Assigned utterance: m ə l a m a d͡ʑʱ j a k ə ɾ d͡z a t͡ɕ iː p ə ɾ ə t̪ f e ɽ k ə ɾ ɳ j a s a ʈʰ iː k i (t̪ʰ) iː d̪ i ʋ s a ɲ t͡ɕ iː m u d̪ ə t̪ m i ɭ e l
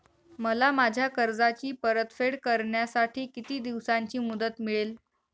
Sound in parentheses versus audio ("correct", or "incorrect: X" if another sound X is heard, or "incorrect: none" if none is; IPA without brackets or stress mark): incorrect: t̪